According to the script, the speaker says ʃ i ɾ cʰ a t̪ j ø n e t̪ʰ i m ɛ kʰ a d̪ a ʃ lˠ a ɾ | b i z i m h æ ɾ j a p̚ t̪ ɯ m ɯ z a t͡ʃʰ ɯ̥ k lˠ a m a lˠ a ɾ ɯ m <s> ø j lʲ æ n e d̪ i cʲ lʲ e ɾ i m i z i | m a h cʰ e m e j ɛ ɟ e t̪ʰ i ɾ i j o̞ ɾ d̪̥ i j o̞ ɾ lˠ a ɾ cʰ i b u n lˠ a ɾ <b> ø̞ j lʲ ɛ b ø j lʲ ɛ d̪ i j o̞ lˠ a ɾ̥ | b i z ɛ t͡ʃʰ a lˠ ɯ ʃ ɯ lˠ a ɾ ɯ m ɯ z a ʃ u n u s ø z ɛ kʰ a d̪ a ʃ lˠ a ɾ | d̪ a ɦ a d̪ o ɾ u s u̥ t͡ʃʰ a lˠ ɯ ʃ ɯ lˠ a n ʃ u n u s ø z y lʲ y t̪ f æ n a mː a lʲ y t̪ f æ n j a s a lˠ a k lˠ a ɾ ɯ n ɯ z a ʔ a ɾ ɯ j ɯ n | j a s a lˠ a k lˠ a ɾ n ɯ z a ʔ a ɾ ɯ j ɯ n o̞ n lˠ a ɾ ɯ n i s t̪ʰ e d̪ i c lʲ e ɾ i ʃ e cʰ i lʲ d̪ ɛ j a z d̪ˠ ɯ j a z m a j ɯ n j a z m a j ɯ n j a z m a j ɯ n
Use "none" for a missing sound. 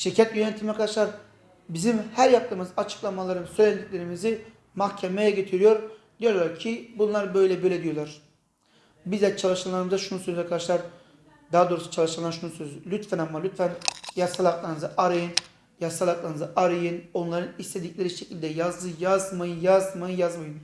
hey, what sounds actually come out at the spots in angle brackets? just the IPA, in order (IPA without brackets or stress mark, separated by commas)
s, b